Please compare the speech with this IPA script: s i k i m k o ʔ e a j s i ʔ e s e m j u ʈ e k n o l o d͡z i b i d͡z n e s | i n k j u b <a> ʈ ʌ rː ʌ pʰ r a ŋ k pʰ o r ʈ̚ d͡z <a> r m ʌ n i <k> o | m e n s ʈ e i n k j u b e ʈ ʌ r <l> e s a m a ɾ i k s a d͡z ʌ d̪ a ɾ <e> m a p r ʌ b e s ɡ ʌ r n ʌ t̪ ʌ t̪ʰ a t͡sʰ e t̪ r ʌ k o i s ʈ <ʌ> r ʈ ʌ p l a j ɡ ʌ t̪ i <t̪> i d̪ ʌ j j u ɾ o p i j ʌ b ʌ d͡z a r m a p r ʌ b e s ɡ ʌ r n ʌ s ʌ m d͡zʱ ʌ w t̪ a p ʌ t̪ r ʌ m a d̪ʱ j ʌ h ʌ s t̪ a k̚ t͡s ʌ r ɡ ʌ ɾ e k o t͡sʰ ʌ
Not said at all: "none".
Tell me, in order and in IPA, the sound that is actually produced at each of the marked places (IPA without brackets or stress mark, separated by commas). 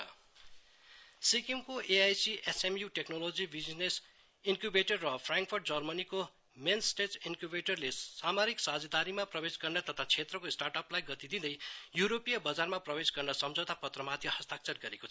e, ʌ, k, l, i, a, d̪